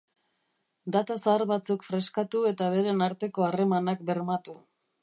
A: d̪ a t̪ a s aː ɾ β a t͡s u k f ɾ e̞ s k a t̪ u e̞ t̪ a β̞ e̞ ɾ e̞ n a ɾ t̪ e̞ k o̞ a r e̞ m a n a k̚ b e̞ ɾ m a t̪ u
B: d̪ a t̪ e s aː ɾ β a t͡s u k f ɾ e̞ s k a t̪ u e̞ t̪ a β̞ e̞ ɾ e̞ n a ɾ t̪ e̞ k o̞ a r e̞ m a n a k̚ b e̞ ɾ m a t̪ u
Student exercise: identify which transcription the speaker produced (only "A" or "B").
A